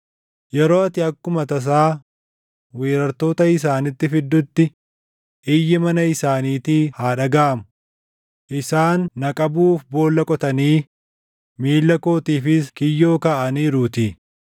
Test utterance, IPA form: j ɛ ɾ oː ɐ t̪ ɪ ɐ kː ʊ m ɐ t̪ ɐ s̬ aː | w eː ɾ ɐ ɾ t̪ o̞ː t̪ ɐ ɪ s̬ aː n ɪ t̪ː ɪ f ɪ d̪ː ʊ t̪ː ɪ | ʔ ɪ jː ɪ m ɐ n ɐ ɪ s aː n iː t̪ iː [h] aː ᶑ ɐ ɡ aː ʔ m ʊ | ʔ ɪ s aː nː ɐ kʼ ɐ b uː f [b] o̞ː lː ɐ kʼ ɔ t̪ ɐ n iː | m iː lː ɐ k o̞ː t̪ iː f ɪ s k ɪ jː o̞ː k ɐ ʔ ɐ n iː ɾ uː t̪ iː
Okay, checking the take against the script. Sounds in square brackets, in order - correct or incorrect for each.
correct, correct

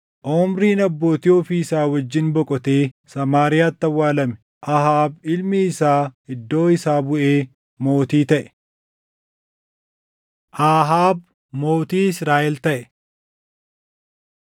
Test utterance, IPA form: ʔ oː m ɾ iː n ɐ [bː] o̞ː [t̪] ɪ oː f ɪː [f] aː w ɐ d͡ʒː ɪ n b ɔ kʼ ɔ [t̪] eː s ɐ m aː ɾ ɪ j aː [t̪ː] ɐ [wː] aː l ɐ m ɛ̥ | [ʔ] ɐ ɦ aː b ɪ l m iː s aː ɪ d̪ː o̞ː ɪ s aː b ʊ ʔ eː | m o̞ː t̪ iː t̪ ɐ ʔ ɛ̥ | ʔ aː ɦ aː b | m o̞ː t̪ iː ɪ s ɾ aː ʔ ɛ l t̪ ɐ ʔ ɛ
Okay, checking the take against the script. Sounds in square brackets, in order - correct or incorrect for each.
correct, correct, incorrect: s, correct, correct, correct, correct

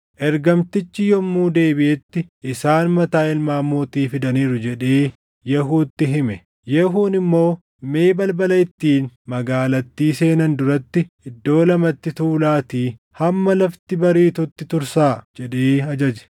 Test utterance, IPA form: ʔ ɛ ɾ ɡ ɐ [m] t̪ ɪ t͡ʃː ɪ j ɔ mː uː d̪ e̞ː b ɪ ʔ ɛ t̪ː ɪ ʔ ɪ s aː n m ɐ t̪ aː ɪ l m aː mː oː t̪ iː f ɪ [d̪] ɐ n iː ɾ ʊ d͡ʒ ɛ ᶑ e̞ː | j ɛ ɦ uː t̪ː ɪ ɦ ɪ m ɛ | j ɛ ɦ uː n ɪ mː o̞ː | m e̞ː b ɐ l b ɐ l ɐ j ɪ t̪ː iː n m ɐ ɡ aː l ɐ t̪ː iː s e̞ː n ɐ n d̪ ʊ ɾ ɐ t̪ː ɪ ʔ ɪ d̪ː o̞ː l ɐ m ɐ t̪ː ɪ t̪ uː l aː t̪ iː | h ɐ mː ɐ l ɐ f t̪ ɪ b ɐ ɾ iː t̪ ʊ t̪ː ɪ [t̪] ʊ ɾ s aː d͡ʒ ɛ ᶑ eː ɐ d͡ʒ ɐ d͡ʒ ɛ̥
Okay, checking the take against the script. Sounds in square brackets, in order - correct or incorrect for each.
correct, correct, correct

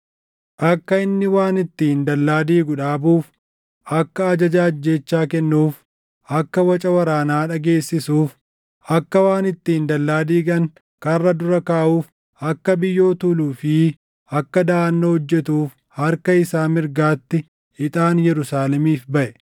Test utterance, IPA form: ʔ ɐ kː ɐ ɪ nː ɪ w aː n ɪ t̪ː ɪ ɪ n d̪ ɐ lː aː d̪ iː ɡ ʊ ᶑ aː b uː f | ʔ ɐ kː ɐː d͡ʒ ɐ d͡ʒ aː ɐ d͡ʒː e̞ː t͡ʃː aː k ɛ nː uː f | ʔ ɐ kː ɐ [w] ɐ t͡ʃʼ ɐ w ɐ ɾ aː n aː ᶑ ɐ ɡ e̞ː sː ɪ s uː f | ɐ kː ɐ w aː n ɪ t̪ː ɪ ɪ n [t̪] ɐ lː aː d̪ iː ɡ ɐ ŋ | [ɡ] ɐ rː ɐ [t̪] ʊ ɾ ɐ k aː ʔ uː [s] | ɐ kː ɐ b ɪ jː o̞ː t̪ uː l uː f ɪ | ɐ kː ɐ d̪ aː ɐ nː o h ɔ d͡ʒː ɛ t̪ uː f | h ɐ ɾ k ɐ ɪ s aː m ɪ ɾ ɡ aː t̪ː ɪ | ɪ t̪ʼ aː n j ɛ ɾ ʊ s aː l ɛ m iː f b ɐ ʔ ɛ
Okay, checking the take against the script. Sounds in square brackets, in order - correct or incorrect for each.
correct, incorrect: d̪, incorrect: k, incorrect: d̪, incorrect: f

